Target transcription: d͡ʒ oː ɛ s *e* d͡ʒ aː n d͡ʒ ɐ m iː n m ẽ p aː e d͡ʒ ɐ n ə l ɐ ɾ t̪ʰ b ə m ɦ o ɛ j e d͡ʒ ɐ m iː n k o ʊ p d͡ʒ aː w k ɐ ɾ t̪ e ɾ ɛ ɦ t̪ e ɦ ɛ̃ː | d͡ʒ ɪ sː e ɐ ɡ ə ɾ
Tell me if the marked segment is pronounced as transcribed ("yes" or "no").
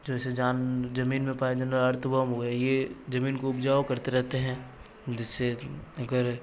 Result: yes